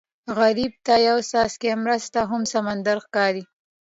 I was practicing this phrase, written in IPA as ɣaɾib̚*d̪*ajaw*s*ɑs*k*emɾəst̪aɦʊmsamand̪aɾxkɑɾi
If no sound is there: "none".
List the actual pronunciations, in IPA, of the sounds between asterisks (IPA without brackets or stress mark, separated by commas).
t̪, s, k